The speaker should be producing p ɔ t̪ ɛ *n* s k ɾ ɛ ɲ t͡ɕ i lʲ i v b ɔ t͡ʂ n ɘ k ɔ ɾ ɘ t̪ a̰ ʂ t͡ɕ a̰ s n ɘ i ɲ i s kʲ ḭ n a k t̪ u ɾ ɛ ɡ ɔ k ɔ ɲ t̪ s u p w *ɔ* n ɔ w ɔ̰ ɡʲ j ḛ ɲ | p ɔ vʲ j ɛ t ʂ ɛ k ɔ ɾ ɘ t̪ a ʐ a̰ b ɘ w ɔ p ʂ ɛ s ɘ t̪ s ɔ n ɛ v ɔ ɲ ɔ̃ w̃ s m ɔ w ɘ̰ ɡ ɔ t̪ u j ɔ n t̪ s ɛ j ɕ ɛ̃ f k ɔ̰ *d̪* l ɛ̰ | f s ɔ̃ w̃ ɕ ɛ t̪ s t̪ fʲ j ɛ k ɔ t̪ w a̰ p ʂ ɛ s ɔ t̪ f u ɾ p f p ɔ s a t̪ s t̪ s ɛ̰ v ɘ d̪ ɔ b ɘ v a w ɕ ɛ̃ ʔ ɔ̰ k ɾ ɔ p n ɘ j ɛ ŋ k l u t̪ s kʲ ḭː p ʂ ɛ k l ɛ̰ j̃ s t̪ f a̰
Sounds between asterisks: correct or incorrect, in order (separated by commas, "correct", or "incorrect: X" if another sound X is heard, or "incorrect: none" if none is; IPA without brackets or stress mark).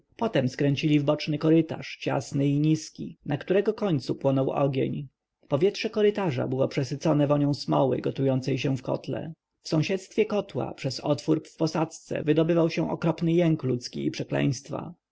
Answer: incorrect: m, correct, incorrect: t̪